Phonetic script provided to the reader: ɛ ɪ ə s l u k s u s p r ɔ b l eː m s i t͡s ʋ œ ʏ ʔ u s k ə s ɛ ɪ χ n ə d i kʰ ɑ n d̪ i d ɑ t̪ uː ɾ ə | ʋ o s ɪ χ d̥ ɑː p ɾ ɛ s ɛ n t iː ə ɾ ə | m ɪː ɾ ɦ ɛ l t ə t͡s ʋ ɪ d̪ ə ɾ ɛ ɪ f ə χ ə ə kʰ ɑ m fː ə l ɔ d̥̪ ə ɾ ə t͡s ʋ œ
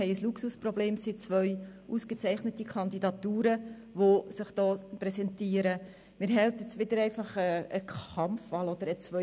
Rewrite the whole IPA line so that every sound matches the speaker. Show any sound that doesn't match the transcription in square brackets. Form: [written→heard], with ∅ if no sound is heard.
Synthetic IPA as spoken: ɛ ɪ ə s l u k s u s p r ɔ b l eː m s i t͡s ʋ œ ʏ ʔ u s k ə [s→t͡s] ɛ ɪ χ n ə [d→t] i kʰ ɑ n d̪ i d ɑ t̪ uː ɾ ə | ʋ o s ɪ χ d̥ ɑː p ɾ ɛ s ɛ n t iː ə ɾ ə | m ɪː ɾ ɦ ɛ l t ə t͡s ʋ ɪ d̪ ə ɾ ɛ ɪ f [ə→ɑ] χ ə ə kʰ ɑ m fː [ə→ɑ] l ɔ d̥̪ ə ɾ ə t͡s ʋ œ